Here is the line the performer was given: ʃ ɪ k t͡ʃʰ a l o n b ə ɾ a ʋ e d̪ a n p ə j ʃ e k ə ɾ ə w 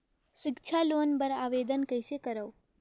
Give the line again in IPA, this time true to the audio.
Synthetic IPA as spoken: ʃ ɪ k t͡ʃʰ a l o n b ə ɾ a ʋ e d̪ ə n k ə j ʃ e k ə ɾ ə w